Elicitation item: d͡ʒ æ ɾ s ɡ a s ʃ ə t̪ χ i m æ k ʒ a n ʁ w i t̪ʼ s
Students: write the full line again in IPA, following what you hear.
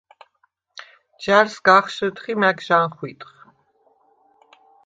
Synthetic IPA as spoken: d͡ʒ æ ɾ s ɡ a χ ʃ ə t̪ χ i m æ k ʒ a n χ w i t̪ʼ χ